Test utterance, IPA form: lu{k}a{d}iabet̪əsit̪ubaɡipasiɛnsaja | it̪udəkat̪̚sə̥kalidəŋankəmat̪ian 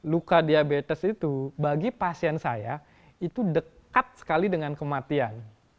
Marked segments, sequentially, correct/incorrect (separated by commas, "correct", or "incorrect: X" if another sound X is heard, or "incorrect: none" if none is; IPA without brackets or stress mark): correct, correct